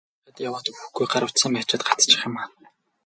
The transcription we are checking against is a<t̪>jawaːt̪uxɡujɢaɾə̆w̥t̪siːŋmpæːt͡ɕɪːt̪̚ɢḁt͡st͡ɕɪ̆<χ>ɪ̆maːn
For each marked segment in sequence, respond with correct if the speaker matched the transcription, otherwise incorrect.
correct, correct

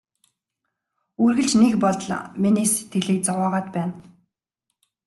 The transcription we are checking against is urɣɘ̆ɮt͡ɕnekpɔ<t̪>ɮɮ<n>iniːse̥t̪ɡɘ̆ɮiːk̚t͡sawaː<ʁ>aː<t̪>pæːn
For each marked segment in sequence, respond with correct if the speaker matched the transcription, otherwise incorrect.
incorrect, incorrect, correct, correct

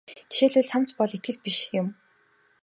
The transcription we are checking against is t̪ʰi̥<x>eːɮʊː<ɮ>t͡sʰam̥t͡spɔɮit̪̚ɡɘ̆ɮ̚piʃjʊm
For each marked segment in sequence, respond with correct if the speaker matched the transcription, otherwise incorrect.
incorrect, correct

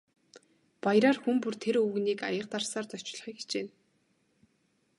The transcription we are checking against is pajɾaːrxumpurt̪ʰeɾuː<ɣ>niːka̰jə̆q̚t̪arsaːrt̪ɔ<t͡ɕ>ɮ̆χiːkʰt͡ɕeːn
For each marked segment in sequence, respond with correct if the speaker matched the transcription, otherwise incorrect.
correct, correct

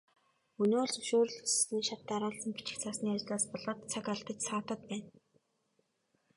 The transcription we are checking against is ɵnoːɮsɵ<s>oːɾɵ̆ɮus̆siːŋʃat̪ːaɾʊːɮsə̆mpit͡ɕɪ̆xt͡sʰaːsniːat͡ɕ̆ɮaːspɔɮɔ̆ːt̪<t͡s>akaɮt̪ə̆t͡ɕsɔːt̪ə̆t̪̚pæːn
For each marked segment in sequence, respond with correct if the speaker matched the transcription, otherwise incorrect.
incorrect, incorrect

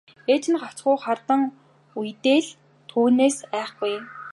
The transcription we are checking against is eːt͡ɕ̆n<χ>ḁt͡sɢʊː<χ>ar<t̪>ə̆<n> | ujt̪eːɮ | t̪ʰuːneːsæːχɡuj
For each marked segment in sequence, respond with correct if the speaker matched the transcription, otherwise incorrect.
correct, correct, correct, incorrect

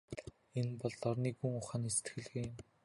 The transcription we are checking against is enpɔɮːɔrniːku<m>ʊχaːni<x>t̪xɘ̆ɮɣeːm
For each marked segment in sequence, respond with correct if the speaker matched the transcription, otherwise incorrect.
incorrect, incorrect

